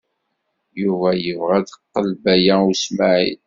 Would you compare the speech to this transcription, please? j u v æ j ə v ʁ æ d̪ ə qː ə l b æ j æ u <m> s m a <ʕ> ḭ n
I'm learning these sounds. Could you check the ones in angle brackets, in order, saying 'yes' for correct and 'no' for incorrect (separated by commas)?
no, yes